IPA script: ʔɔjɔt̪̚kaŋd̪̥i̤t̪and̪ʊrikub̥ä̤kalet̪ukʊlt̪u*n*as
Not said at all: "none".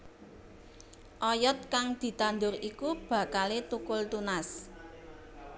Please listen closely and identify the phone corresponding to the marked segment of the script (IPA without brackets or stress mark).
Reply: n